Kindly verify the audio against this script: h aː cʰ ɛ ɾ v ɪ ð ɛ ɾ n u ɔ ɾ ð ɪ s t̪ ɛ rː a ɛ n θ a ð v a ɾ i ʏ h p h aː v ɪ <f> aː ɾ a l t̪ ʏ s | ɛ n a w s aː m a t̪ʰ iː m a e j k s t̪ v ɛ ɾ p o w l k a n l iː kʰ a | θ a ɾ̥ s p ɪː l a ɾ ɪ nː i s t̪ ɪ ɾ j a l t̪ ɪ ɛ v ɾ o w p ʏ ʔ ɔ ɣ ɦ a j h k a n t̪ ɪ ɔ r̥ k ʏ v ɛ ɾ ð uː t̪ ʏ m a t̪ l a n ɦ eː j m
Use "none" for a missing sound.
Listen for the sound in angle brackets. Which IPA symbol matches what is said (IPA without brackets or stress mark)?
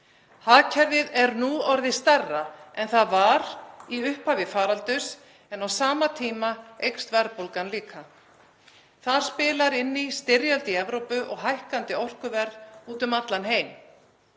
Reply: f